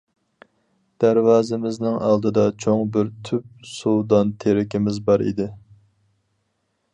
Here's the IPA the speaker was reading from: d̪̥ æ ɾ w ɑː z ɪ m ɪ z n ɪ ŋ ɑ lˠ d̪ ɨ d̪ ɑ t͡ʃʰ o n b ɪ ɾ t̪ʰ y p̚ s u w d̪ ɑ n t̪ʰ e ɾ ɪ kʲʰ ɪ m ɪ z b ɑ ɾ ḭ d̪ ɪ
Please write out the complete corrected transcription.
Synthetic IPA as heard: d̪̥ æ ɾ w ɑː z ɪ m ɪ z n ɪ ŋ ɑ lˠ d̪ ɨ d̪ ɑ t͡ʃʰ o ŋ b ɪ ɾ t̪ʰ y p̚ s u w d̪ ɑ n t̪ʰ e ɾ ɪ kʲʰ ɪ m ɪ z b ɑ ɾ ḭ d̪ ɪ